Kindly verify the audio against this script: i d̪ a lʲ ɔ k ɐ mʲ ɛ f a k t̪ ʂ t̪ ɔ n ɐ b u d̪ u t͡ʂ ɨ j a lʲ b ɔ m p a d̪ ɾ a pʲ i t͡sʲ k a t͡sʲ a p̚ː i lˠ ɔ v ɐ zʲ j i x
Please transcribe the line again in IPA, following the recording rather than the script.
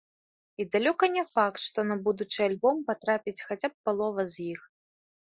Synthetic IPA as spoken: i d̪ a lʲ ɔ k ɐ nʲ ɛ f a k t̪ ʂ t̪ ɔ n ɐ b u d̪ u t͡ʂ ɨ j a lʲ b ɔ m p a t̪ ɾ a pʲ i t͡sʲ x a t͡sʲ a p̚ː a lˠ ɔ v ɐ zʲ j i x